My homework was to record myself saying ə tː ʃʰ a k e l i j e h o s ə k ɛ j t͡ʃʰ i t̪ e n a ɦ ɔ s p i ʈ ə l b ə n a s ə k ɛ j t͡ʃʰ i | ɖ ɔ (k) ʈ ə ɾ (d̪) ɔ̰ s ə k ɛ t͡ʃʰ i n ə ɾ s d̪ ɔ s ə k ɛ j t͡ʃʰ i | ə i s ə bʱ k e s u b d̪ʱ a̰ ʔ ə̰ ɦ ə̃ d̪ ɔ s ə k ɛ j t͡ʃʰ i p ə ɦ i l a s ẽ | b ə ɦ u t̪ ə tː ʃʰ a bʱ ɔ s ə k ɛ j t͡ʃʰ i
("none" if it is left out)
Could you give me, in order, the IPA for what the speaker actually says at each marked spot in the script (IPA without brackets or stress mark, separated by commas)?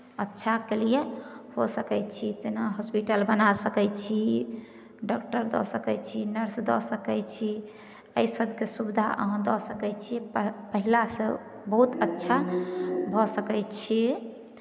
k, d̪